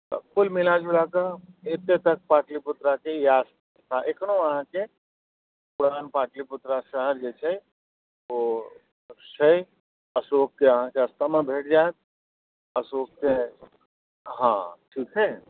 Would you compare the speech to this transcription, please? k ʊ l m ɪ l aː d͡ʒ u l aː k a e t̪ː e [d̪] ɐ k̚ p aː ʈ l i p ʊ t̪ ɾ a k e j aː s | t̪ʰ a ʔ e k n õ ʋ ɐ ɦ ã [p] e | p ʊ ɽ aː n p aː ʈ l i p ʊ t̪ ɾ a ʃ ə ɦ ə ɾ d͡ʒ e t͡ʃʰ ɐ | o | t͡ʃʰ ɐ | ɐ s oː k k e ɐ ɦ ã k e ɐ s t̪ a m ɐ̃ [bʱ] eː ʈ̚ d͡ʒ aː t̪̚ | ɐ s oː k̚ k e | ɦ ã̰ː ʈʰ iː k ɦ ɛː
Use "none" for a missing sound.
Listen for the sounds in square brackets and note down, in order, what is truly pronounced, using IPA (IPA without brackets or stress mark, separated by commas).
t̪, k, bʱ